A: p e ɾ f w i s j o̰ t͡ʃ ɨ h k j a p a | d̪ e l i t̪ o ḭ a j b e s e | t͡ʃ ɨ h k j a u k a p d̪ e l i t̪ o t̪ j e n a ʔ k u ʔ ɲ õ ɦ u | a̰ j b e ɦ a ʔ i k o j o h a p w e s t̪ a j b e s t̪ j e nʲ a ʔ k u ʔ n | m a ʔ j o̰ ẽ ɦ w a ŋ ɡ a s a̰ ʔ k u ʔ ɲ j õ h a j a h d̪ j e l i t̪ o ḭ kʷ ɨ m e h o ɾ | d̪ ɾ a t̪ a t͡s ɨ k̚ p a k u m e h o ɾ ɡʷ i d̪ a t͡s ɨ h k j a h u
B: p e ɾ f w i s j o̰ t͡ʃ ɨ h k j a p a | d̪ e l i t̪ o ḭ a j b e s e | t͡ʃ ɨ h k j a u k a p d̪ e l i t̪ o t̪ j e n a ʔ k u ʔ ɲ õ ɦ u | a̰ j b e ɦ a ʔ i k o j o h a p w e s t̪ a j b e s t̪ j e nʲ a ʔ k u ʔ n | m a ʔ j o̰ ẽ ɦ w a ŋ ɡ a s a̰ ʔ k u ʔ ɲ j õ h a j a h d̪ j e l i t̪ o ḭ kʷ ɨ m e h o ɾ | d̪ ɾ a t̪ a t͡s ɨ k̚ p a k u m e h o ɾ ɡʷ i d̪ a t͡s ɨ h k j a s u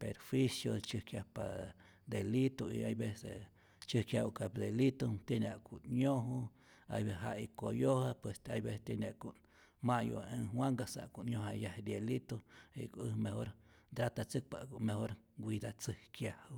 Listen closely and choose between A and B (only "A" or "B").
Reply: A